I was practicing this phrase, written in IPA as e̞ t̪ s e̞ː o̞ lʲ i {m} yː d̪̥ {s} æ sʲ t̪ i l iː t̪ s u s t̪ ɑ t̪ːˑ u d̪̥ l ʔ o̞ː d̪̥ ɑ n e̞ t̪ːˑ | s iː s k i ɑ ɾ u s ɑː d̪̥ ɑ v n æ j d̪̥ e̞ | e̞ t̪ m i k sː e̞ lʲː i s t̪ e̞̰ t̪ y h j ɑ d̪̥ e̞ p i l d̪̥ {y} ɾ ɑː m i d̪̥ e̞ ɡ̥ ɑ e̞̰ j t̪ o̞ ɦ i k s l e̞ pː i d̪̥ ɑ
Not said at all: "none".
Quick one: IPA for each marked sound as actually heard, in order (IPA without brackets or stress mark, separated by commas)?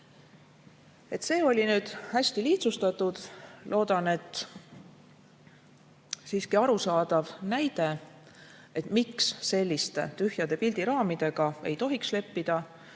n, h, i